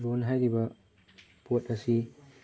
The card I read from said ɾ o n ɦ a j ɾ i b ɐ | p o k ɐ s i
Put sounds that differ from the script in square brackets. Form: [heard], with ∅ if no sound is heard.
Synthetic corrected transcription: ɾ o n ɦ a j ɾ i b ɐ | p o [t] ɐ s i